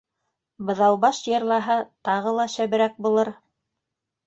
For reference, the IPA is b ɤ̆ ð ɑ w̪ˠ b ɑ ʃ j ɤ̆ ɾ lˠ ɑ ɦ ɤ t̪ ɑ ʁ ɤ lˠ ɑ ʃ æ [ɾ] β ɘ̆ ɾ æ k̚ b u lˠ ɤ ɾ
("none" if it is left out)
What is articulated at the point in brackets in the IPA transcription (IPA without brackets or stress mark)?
none